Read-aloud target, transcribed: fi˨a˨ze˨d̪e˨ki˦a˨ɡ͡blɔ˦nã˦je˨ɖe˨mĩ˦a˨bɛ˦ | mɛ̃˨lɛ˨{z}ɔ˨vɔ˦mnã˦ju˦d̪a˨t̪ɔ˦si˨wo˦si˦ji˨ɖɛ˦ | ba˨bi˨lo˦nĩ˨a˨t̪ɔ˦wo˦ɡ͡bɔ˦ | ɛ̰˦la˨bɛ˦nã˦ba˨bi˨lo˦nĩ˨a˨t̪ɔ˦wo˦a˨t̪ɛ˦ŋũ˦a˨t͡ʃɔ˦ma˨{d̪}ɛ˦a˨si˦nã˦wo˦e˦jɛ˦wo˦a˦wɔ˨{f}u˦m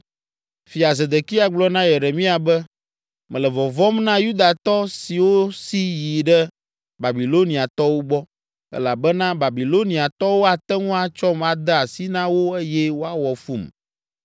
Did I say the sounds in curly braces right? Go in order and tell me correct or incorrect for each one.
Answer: incorrect: v, correct, correct

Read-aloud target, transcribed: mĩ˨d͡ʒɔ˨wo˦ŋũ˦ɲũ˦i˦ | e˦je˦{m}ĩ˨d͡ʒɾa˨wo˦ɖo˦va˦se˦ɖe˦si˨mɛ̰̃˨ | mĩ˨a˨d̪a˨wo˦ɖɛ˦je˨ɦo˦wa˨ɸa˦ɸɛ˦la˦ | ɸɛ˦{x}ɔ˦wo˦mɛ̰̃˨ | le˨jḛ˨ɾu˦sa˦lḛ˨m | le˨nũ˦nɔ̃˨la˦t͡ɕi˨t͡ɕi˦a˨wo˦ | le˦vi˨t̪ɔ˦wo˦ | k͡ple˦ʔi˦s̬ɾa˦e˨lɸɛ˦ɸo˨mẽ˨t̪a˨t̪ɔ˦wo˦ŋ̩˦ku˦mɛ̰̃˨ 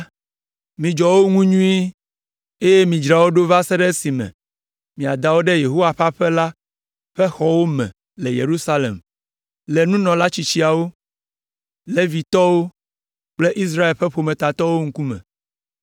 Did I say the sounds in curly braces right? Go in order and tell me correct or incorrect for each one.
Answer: correct, correct

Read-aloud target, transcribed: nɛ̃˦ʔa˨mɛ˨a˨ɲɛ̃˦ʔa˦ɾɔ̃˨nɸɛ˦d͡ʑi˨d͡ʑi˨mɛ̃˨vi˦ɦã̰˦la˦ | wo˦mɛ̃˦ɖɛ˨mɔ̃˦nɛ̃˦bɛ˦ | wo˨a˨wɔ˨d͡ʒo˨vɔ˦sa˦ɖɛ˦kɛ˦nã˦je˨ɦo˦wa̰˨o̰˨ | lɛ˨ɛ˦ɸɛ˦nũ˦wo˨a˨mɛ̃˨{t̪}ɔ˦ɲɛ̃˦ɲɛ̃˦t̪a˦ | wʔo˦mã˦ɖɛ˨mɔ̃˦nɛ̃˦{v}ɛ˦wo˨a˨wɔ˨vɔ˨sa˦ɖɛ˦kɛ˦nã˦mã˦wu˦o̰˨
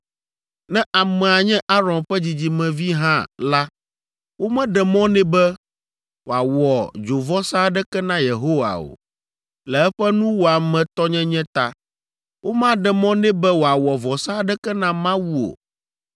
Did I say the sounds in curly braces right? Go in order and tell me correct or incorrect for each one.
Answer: correct, incorrect: b

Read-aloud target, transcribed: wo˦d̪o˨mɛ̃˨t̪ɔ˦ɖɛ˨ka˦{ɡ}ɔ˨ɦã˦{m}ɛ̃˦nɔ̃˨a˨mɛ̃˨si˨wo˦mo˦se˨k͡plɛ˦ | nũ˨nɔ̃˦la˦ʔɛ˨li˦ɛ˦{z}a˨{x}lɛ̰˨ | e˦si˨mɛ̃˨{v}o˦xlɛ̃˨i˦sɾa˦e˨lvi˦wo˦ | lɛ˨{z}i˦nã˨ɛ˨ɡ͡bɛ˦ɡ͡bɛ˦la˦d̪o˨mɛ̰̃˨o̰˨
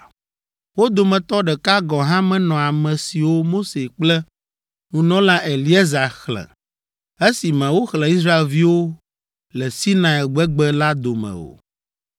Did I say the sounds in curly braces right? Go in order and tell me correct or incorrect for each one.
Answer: correct, correct, correct, correct, incorrect: w, incorrect: s

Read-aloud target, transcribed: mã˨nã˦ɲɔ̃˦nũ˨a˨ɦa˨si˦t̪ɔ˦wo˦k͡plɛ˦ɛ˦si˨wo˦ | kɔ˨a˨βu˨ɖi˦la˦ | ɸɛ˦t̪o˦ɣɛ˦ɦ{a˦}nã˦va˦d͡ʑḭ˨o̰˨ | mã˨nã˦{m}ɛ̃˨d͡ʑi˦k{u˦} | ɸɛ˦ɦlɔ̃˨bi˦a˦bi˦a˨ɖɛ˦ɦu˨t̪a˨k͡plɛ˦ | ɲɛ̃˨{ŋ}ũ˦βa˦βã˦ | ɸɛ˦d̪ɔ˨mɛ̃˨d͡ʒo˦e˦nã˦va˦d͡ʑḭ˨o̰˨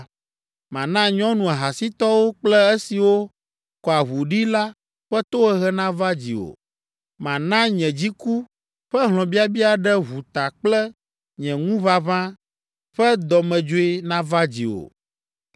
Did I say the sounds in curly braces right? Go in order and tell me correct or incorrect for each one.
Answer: incorrect: ɛ˦, incorrect: ɲ, correct, correct

